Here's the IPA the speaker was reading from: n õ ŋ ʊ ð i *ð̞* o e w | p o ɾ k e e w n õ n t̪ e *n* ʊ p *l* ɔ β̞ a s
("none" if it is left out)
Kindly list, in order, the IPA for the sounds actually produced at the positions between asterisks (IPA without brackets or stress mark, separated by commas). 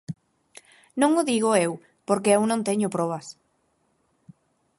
ɣ̞, ɲ, ɾ